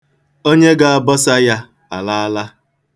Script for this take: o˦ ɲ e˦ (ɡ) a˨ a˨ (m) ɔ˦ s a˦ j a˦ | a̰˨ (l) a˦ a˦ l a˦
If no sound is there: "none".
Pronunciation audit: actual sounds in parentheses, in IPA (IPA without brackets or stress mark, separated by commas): ɡ, b, l